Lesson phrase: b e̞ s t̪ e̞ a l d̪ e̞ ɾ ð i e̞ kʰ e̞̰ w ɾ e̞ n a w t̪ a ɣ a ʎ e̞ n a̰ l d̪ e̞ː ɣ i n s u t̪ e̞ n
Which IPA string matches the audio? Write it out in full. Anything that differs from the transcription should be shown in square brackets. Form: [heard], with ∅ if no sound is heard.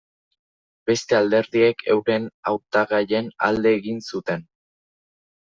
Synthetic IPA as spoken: b e̞ s t̪ e̞ a l d̪ e̞ ɾ ð i e̞ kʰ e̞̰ w ɾ e̞ n a w t̪ a ɣ a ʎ e̞ n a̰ l d̪ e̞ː ɣ i n s u t̪ e̞ n